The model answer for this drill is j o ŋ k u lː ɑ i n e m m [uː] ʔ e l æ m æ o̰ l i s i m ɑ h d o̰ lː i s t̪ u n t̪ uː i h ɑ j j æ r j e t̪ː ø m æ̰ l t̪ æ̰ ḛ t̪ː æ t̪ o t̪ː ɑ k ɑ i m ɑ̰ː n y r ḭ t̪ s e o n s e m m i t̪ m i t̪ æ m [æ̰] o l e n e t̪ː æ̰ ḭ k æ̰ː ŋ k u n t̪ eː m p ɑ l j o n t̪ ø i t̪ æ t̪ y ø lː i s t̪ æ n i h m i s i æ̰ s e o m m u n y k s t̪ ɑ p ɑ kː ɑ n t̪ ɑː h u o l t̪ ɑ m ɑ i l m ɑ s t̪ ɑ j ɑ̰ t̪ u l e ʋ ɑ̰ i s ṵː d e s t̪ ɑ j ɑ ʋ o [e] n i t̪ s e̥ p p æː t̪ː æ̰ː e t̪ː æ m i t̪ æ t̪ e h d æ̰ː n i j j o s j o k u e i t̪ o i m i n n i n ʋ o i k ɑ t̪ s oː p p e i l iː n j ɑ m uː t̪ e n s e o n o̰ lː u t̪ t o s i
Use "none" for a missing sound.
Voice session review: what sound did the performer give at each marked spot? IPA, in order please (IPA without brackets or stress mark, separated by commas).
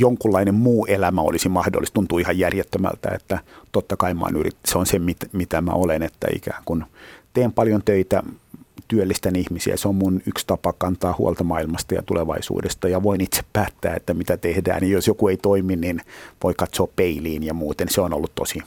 uː, æ̰, i